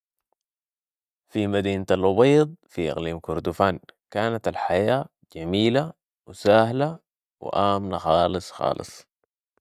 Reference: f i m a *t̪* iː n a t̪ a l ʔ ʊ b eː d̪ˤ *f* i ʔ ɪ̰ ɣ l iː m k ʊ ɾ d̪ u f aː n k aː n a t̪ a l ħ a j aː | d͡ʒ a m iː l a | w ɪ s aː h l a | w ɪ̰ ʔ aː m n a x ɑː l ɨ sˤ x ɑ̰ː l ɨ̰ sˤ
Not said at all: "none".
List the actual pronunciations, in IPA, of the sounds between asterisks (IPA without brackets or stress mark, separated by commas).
d̪, f